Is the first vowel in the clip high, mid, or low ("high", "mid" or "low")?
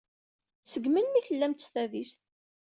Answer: mid